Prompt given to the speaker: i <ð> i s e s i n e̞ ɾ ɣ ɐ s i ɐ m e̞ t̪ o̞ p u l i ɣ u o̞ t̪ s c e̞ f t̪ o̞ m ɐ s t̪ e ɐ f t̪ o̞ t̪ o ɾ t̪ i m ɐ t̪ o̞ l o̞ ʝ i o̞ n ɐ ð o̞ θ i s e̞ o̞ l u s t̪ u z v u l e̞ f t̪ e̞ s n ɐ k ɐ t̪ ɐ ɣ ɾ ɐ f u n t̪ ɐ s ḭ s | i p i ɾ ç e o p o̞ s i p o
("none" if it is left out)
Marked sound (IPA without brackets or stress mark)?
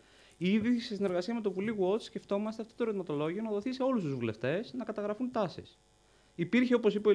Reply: ð